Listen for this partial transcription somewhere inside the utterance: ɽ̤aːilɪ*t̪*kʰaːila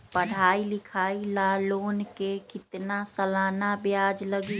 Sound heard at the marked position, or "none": none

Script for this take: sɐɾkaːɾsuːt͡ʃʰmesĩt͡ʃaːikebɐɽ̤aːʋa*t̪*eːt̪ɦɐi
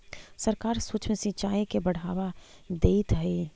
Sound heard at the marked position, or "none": d̪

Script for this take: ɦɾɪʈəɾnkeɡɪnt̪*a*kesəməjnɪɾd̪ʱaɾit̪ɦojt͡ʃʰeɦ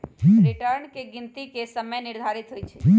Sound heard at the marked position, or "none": i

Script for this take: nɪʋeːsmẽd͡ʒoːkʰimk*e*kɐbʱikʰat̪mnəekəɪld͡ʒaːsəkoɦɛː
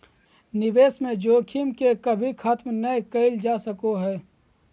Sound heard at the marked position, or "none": e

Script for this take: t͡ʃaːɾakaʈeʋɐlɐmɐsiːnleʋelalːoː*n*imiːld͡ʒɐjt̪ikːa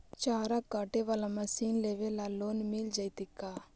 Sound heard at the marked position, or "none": n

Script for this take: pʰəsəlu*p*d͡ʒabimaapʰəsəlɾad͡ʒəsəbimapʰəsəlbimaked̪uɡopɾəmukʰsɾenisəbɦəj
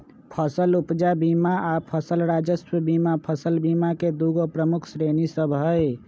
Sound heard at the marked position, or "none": p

